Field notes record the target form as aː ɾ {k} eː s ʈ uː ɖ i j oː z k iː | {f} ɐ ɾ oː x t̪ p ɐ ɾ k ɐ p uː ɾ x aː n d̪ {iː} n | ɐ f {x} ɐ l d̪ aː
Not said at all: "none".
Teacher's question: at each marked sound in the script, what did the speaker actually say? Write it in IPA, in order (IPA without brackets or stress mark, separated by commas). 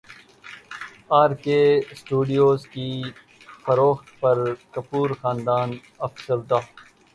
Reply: k, f, aː, s